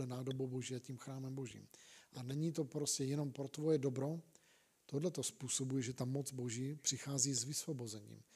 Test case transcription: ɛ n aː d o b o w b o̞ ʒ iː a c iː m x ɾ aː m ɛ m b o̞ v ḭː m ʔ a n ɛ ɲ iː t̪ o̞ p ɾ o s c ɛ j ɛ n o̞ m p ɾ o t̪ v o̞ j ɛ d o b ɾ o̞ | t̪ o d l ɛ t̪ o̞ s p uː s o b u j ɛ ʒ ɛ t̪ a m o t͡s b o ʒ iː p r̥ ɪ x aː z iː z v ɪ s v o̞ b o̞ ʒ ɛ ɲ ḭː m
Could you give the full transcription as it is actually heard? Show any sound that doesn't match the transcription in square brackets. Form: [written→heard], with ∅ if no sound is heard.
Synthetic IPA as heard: ɛ n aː d o b o w b o̞ ʒ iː a c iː m x ɾ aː m ɛ m b o̞ [v→ʒ] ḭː m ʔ a n ɛ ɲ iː t̪ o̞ p ɾ o s c ɛ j ɛ n o̞ m p ɾ o t̪ v o̞ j ɛ d o b ɾ o̞ | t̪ o d l ɛ t̪ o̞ s p uː s o b u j ɛ ʒ ɛ t̪ a m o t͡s b o ʒ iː p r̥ ɪ x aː z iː z v ɪ s v o̞ b o̞ [ʒ→z] ɛ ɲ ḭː m